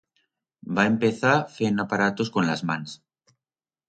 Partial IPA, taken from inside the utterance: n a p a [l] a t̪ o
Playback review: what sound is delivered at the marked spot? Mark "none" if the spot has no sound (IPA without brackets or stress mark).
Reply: ɾ